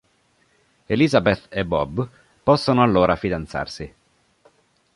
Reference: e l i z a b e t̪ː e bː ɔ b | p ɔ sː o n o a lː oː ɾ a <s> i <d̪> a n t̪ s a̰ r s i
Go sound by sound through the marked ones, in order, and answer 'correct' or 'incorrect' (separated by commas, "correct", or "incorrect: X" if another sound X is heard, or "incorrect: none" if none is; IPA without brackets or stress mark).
incorrect: f, correct